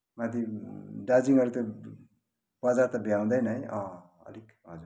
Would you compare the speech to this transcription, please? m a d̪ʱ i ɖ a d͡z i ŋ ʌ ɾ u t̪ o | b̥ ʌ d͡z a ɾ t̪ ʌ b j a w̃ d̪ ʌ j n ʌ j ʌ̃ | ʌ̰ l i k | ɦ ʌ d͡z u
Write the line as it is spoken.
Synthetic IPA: m a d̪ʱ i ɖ a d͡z i ŋ ʌ ɾ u t̪ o | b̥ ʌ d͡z a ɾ t̪ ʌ b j a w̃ d̪ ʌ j n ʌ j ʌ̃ | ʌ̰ l i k | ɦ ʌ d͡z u